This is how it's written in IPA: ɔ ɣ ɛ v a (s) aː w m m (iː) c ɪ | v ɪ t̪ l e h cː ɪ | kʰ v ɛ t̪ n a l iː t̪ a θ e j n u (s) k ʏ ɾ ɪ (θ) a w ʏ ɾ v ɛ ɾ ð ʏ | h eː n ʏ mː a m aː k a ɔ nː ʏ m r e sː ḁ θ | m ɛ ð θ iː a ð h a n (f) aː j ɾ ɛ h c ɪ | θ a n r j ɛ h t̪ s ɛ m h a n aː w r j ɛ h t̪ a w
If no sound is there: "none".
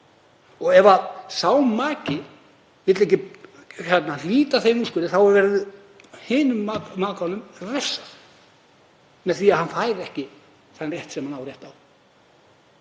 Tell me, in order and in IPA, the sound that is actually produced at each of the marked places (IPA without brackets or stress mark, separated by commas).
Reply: s, aː, s, θ, f